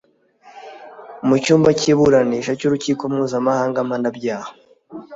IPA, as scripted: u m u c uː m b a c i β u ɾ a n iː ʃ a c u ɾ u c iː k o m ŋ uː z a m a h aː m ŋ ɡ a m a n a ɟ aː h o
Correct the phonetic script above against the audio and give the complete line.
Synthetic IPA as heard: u m u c uː m b a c i β u ɾ a n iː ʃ a c u ɾ u c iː k o m ŋ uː z a m a h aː ŋ ɡ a m a n a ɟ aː h o